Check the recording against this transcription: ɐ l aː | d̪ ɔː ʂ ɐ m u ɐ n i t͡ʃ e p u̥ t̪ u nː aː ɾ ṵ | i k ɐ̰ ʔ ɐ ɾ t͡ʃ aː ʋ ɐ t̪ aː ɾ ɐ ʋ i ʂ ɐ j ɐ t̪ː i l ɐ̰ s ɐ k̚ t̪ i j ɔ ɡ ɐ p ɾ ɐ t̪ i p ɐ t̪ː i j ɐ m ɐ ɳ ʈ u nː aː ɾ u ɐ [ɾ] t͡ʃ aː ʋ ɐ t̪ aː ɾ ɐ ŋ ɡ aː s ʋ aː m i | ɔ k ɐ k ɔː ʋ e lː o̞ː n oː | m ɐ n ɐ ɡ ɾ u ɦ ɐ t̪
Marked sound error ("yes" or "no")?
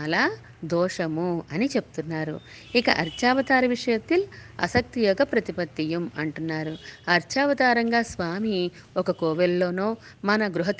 no